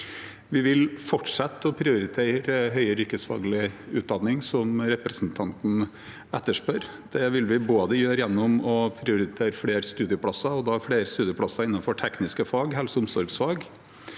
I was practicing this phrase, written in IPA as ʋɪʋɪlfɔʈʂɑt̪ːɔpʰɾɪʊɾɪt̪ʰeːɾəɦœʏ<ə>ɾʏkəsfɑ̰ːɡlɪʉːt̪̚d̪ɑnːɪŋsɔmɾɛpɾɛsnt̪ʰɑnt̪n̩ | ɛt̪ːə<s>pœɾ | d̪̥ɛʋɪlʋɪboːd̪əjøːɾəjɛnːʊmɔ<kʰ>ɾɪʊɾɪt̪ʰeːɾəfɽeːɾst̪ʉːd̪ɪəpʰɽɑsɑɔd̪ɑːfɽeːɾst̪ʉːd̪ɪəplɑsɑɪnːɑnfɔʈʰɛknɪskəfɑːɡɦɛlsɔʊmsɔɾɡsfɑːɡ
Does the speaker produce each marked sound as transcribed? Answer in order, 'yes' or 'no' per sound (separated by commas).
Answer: yes, no, no